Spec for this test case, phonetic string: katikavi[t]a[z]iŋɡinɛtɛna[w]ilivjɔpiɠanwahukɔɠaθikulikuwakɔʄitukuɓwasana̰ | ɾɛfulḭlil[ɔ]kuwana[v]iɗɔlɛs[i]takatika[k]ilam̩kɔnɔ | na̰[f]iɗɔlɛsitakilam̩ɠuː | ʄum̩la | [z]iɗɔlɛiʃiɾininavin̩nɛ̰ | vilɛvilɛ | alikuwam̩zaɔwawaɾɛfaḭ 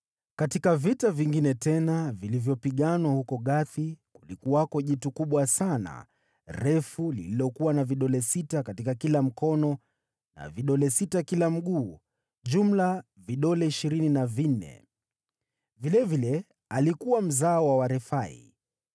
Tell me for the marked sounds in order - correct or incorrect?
correct, incorrect, incorrect, correct, correct, correct, correct, incorrect, incorrect

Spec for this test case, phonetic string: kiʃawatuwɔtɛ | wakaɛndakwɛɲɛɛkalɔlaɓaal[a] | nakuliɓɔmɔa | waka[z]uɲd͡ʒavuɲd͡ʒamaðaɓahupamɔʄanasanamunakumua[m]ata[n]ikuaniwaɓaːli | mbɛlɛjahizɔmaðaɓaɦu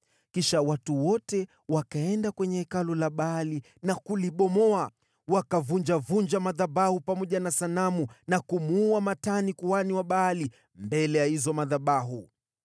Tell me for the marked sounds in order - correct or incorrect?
incorrect, incorrect, correct, correct

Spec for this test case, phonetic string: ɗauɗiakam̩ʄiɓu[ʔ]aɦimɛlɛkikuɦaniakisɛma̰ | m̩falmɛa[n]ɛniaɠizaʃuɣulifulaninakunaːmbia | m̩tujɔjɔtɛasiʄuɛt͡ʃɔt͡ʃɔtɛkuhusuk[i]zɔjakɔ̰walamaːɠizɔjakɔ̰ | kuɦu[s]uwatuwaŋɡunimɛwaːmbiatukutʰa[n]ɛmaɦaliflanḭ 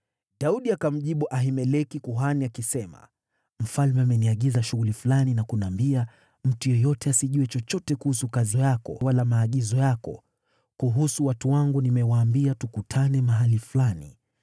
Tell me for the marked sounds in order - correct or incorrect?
correct, incorrect, incorrect, correct, correct

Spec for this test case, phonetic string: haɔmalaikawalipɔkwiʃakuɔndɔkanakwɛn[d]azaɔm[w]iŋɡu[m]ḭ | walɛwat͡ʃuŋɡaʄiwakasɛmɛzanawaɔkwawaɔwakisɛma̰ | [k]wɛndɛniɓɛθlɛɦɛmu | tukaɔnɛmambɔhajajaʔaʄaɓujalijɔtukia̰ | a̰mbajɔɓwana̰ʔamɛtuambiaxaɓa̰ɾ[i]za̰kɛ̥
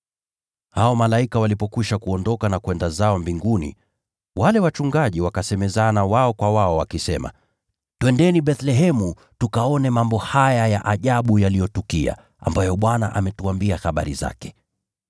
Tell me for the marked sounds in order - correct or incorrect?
correct, incorrect, incorrect, incorrect, correct

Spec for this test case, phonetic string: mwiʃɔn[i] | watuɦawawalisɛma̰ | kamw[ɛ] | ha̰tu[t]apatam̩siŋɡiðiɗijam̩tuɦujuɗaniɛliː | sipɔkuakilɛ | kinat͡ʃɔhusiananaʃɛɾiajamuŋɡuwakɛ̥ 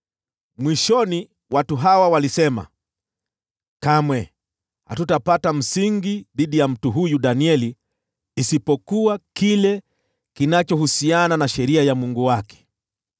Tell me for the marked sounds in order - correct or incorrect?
correct, correct, correct

